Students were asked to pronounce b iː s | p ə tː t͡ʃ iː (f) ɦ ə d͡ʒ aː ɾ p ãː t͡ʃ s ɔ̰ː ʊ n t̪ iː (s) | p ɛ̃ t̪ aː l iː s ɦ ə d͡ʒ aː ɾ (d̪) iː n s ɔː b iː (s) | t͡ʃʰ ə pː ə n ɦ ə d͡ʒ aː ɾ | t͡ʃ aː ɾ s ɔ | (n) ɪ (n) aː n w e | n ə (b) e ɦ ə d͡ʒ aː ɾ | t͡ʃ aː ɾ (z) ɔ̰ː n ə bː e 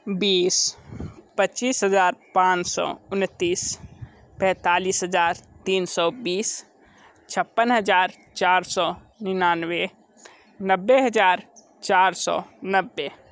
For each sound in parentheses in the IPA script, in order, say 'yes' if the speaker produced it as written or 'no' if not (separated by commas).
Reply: no, yes, no, yes, yes, yes, no, no